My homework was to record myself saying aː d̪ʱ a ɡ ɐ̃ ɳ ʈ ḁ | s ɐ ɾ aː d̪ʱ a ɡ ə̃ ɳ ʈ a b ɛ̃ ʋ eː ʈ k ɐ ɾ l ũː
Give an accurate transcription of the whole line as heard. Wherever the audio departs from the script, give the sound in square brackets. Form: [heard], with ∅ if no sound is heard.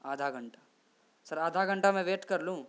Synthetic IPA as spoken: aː d̪ʱ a ɡ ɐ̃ ɳ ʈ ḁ | s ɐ ɾ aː d̪ʱ a ɡ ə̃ ɳ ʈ a [m] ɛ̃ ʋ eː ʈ k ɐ ɾ l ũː